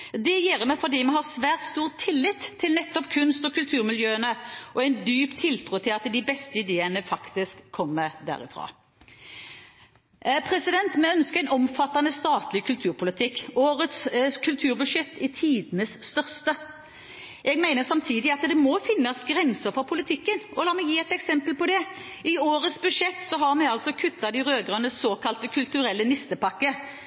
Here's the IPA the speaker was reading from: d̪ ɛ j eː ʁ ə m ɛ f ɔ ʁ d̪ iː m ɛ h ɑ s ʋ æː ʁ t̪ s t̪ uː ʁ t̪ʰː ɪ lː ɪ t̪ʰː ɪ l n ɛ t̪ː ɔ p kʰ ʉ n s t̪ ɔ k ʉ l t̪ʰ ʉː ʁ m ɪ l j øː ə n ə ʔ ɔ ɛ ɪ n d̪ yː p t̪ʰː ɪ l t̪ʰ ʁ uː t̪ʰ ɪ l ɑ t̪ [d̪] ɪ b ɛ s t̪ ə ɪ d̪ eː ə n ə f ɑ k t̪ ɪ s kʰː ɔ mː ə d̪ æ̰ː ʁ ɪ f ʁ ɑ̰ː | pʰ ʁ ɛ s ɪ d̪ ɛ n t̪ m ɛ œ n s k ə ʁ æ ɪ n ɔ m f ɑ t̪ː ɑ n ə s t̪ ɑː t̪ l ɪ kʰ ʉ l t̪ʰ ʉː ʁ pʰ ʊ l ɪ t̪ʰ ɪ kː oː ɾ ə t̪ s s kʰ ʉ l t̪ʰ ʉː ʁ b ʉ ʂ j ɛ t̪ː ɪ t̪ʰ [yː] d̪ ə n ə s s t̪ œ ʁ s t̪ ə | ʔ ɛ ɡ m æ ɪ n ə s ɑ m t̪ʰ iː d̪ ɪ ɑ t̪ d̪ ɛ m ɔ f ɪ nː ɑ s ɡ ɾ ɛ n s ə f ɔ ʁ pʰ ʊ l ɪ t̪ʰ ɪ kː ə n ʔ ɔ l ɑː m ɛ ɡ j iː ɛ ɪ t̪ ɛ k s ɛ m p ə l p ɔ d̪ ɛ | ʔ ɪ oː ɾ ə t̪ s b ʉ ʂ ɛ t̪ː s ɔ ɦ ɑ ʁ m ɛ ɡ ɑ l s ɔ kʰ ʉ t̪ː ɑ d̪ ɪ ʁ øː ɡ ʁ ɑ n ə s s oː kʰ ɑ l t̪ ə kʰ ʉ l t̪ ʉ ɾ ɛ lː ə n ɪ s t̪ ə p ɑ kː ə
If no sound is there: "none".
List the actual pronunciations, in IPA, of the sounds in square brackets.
d̪, iː

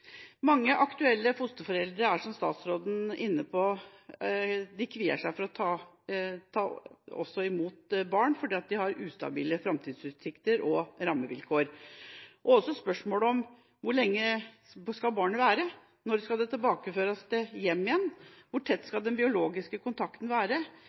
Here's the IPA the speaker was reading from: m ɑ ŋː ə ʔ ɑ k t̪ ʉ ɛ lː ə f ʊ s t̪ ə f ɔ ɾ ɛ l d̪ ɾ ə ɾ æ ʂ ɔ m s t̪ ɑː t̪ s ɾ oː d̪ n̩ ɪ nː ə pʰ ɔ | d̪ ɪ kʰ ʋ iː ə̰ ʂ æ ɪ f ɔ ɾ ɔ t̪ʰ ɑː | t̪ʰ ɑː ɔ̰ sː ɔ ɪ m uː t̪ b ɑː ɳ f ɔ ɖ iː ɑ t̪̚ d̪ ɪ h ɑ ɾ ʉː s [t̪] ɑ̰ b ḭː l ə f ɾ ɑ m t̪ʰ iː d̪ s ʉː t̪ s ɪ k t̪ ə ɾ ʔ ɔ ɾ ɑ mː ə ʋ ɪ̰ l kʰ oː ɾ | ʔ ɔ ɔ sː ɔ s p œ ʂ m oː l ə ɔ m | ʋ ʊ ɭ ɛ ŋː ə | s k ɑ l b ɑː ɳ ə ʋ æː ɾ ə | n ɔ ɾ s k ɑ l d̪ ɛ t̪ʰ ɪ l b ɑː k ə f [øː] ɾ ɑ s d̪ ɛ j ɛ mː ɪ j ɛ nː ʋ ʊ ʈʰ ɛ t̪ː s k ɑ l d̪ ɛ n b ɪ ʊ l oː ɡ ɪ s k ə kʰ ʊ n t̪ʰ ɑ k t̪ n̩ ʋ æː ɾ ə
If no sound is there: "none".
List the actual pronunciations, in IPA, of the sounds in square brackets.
t̪, øː

